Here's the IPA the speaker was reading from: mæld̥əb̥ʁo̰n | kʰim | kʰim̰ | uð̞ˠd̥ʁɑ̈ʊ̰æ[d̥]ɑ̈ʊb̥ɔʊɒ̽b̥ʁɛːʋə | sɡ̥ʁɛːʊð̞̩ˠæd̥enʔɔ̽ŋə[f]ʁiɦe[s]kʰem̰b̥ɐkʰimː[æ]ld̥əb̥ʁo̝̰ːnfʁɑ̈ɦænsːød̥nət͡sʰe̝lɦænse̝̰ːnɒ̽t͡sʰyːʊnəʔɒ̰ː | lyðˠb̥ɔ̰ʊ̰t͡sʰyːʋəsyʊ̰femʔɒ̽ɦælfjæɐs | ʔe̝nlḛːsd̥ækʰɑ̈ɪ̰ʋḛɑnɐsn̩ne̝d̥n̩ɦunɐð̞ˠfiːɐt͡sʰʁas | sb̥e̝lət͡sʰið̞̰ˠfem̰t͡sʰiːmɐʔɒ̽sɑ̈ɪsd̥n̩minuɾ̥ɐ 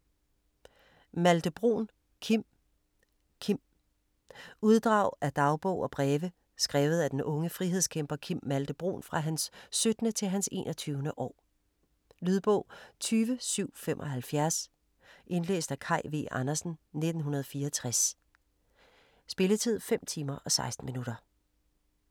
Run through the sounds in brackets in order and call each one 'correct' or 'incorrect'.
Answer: correct, correct, correct, correct

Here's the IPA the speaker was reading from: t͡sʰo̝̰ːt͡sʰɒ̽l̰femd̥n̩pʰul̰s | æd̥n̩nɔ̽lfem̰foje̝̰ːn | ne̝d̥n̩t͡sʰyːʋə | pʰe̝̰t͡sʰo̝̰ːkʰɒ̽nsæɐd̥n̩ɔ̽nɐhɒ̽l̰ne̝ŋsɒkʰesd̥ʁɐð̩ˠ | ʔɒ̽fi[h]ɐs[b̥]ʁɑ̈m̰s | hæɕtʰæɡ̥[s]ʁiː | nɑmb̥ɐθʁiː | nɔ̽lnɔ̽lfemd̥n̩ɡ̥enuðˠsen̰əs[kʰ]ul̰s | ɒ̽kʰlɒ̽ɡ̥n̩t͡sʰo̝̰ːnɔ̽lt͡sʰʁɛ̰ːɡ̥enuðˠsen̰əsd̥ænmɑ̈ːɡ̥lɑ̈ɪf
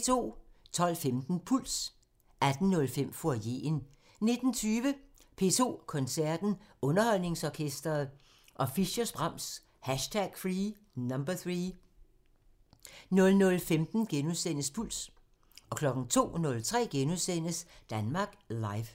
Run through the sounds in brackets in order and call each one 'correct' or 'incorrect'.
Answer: incorrect, correct, incorrect, incorrect

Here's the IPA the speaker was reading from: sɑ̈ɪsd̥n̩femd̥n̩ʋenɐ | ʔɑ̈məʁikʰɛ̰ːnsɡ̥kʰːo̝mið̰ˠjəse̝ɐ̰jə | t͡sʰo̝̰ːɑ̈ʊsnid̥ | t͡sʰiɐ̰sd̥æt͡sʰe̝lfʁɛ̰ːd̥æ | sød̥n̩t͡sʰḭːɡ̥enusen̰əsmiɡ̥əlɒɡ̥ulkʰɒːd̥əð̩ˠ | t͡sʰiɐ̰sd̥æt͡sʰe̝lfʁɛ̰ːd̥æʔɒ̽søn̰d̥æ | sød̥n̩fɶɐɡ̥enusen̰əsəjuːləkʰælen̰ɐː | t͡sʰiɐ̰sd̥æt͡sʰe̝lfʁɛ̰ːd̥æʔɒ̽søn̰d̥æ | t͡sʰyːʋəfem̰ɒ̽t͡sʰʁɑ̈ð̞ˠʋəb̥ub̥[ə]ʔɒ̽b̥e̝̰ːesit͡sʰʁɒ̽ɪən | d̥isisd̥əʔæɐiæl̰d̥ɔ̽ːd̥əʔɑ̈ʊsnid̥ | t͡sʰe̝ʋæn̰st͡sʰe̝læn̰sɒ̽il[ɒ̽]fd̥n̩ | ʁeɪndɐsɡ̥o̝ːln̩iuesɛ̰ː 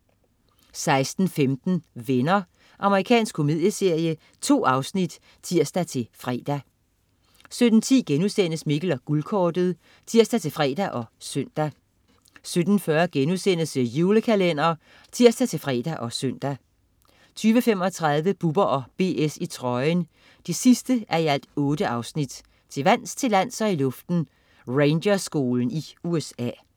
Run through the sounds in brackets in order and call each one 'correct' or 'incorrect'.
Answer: incorrect, incorrect

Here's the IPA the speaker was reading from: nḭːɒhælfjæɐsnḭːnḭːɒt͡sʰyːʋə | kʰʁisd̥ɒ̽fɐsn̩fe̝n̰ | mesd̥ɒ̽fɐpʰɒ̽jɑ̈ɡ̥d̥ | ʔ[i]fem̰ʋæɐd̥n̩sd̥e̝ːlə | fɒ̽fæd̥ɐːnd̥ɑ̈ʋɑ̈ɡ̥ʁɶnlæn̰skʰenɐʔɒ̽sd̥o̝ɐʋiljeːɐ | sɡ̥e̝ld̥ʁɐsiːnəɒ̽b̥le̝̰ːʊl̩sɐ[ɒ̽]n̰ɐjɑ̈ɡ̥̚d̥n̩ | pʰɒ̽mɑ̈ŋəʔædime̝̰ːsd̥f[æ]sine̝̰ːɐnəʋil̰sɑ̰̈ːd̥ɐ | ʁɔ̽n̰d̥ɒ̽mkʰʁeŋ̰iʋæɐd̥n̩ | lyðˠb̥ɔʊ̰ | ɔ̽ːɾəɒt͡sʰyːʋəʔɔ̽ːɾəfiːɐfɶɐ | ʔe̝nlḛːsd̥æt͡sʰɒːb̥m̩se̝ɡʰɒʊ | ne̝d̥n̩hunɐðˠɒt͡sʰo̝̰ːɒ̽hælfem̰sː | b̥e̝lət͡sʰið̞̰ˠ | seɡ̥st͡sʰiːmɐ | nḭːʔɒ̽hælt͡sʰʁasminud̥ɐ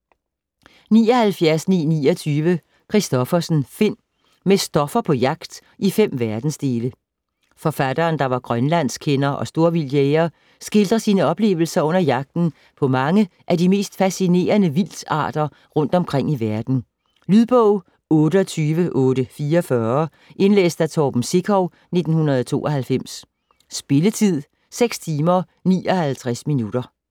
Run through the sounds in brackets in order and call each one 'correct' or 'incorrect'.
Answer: correct, incorrect, correct

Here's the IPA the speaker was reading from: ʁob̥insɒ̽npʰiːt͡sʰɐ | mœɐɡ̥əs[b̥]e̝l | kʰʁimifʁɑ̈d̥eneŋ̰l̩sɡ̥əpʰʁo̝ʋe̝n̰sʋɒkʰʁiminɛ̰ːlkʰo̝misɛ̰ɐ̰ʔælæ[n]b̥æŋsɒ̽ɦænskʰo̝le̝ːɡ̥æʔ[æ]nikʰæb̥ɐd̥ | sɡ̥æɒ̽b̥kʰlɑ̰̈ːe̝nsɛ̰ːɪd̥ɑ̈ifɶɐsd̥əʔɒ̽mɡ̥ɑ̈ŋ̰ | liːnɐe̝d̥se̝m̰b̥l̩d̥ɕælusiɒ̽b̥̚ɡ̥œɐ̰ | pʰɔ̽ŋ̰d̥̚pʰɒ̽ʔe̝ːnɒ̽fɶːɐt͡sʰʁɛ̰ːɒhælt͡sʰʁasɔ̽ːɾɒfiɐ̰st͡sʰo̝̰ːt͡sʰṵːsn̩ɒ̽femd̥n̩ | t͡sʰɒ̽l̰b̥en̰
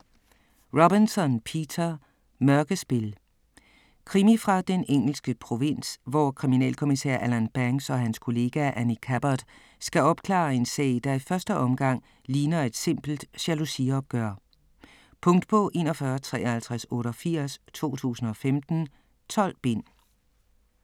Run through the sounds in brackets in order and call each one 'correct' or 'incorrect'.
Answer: correct, correct, correct

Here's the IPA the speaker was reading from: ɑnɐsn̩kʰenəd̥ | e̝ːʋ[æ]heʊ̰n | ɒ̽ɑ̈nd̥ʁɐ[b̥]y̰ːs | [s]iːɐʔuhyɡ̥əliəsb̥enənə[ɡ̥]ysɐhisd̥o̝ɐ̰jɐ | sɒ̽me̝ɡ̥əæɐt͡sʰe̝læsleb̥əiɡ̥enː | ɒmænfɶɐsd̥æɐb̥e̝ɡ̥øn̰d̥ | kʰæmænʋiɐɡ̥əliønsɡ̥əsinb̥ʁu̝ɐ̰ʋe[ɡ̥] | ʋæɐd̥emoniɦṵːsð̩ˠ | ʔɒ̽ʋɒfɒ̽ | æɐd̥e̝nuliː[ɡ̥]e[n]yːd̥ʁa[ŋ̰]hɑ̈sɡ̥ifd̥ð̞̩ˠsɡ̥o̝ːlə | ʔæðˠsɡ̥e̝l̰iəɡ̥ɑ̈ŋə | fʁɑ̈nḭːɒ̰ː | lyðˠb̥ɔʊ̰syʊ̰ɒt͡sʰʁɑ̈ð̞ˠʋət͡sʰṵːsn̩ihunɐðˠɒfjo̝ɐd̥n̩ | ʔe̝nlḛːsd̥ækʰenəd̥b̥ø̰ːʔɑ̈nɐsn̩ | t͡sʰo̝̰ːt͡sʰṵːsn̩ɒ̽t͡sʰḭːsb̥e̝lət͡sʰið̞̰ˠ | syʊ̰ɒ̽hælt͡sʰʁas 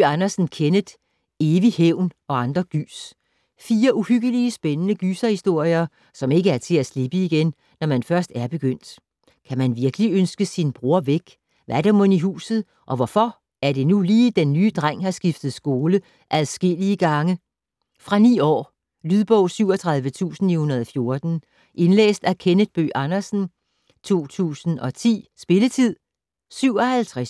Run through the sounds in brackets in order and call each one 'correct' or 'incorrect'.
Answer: incorrect, incorrect, incorrect, correct, correct, incorrect, incorrect, correct

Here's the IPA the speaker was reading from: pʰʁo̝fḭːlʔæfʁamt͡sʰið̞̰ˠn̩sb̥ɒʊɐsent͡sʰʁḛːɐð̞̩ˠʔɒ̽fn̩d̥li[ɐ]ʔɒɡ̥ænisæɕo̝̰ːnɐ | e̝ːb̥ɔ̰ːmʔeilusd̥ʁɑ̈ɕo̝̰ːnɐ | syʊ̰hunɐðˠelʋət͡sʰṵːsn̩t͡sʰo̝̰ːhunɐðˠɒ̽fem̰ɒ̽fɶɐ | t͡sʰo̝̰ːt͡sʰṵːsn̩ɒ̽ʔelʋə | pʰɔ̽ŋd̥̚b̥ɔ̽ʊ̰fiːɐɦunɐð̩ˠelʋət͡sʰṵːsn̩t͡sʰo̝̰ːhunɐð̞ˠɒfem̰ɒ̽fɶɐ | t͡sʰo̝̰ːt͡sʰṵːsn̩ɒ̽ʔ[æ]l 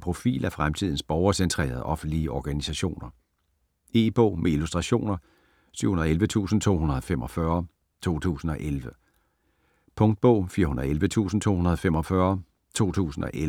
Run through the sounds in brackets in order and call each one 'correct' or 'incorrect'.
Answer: incorrect, incorrect

